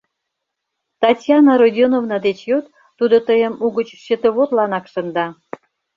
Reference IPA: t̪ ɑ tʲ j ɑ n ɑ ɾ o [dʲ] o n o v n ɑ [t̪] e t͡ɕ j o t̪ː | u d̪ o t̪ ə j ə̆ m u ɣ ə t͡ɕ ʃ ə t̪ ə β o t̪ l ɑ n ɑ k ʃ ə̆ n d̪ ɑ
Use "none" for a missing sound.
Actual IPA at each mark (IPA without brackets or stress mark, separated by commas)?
dʲ, d̪